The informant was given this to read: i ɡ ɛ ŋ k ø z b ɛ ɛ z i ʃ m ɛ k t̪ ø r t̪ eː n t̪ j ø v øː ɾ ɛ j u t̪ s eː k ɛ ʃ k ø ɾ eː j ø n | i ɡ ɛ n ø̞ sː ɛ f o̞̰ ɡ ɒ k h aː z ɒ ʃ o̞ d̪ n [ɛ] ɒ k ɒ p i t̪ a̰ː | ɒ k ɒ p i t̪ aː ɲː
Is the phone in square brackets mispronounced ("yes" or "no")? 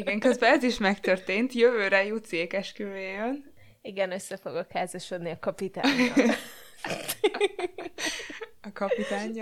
yes